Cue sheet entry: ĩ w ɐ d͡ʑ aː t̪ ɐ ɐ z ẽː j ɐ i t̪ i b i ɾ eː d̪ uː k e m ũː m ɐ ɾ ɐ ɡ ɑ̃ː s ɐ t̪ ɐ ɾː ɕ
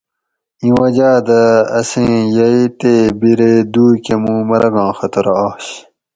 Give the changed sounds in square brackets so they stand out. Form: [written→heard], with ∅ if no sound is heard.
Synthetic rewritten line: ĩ w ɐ d͡ʑ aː [t̪→d̪] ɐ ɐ [z→s] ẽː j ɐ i t̪ [i→e] b i ɾ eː d̪ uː k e m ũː m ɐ ɾ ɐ ɡ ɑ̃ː [s→x] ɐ t̪ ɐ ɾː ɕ